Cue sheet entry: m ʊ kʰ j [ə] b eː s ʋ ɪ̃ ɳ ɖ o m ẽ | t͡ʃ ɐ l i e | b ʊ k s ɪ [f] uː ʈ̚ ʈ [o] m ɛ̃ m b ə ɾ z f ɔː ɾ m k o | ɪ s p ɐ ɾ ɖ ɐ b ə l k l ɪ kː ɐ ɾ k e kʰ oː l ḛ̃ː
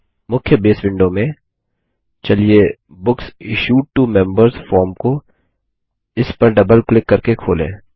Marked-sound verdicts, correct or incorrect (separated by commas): correct, incorrect, incorrect